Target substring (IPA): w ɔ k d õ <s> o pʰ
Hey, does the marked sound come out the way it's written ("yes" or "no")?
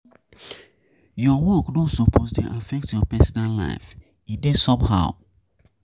yes